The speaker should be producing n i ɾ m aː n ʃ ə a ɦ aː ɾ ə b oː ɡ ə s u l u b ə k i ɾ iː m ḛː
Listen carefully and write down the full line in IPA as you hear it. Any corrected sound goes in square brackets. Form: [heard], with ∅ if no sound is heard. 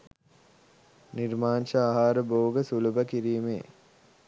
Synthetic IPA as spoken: n i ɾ m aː n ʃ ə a ɦ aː ɾ ə b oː ɡ ə s u l u b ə k i ɾ iː m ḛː